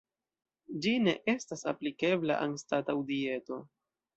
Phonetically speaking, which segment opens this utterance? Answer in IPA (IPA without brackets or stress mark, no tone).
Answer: d͡ʒ